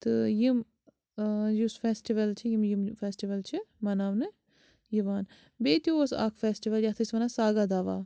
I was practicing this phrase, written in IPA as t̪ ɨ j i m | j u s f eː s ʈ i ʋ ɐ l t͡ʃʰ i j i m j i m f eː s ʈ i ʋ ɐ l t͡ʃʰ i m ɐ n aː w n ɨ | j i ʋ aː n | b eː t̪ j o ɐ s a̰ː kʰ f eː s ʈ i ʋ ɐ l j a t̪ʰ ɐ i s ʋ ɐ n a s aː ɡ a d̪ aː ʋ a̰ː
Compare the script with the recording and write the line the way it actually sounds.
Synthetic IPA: t̪ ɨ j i m | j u s f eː s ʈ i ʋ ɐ l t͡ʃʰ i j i m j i m f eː s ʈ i ʋ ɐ l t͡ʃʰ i m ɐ n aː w n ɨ | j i ʋ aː n | b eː t̪ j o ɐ s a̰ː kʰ f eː s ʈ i ʋ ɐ l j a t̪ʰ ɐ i s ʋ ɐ n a s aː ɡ a d̪ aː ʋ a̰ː